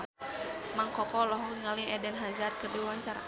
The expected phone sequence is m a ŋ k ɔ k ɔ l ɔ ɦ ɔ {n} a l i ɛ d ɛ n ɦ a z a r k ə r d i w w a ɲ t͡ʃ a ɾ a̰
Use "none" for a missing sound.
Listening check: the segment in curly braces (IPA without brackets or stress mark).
ŋ